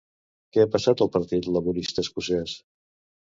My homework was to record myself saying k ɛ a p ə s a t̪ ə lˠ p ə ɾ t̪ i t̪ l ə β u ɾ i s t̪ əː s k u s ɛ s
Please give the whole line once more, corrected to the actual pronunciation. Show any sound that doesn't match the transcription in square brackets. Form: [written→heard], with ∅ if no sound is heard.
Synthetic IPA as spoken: k ɛ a p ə s a t̪ ə lˠ p ə ɾ t̪ i t̪ l ə β u ɾ i s t̪ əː s k u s ɛ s